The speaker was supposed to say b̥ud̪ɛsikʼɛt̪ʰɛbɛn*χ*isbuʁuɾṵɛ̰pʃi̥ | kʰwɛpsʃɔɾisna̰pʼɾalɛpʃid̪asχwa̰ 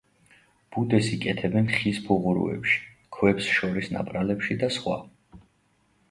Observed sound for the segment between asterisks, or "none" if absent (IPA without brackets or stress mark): χ